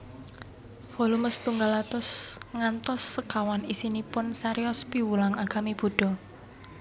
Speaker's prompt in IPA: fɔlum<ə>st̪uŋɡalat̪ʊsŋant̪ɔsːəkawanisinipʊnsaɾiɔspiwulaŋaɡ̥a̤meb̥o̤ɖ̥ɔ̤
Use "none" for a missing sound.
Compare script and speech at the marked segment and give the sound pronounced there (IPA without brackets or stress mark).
ə